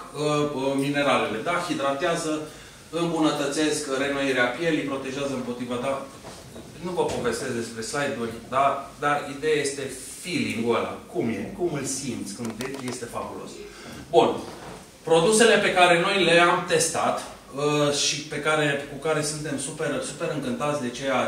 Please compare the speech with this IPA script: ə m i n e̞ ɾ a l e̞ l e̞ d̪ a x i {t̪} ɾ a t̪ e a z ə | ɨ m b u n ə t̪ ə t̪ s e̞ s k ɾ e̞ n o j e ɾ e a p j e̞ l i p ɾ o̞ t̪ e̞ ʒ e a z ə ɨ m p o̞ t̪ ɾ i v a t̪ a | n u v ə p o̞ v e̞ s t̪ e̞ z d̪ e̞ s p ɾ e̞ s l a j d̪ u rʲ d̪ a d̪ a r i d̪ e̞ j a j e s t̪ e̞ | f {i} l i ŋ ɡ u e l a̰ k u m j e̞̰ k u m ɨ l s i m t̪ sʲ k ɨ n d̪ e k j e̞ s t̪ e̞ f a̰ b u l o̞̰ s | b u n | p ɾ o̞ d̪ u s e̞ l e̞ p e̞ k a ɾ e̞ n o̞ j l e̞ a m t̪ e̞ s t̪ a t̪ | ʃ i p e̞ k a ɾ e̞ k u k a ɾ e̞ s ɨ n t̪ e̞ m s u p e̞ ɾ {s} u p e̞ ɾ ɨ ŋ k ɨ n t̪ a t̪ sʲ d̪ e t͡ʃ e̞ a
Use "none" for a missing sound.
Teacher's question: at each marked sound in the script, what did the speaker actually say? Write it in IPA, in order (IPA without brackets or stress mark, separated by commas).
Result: d̪, i, s